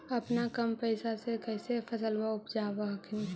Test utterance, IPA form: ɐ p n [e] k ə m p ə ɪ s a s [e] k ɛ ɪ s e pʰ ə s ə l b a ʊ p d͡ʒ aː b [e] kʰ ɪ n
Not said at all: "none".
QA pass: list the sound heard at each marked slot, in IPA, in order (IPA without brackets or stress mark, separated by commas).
a, e, a